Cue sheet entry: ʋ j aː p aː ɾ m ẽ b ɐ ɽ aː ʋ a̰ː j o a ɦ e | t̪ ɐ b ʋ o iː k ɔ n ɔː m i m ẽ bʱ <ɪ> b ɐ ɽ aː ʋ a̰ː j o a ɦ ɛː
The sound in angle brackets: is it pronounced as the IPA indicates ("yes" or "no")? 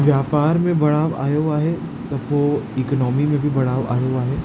no